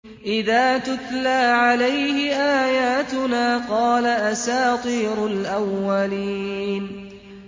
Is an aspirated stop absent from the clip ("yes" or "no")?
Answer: yes